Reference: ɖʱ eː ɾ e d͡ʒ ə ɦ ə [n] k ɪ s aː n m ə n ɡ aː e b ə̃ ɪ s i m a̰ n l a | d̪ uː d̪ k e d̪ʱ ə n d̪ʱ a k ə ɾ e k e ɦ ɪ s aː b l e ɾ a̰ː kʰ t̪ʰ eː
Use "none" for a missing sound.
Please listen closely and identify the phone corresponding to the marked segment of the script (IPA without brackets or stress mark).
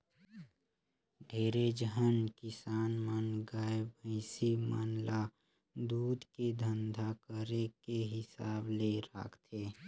n